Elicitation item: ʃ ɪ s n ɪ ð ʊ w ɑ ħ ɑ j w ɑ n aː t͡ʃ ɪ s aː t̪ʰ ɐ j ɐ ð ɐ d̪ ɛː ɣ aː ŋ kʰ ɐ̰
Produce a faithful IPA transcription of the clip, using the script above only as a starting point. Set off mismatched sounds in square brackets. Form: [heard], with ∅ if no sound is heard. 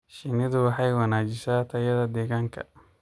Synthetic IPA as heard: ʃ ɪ [∅] n ɪ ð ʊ w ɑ ħ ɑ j w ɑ n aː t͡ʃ ɪ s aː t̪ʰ ɐ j ɐ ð ɐ d̪ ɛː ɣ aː ŋ kʰ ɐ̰